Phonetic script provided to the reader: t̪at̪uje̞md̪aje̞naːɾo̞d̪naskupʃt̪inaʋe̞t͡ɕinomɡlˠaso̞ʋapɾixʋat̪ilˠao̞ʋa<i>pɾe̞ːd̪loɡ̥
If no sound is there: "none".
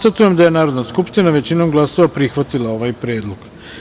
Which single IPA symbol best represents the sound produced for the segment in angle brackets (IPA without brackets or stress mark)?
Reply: j